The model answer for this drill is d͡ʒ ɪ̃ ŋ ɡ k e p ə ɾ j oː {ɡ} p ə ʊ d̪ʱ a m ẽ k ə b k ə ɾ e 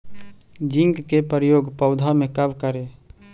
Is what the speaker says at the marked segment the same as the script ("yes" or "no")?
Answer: yes